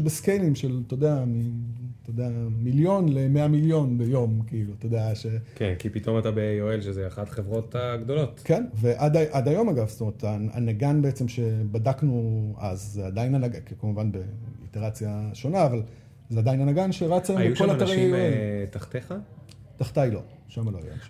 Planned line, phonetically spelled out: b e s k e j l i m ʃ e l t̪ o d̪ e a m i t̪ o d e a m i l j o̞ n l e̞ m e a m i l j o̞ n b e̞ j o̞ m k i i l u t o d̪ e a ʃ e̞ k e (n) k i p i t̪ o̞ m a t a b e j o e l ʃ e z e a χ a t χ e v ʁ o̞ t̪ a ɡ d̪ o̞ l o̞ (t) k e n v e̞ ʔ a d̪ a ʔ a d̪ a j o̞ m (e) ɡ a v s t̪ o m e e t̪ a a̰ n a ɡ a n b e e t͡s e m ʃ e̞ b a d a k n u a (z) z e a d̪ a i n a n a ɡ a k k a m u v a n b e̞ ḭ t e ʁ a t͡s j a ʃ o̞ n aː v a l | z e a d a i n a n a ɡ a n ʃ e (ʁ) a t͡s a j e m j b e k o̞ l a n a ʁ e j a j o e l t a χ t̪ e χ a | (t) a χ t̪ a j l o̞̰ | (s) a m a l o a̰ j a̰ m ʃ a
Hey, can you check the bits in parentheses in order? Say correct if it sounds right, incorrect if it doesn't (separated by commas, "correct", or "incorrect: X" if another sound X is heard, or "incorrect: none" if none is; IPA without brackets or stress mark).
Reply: correct, correct, incorrect: a, correct, correct, correct, incorrect: ʃ